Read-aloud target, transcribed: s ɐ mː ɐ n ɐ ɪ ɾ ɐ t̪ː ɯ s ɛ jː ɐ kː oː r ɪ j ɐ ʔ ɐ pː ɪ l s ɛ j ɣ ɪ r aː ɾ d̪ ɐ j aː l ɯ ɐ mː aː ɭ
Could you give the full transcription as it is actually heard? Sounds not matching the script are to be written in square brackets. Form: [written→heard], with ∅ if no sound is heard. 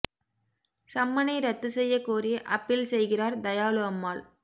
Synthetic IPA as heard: s ɐ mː ɐ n ɐ ɪ ɾ ɐ t̪ː ɯ s ɛ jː ɐ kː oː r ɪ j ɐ ʔ ɐ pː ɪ l s ɛ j ɣ ɪ r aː ɾ d̪ ɐ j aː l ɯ ɐ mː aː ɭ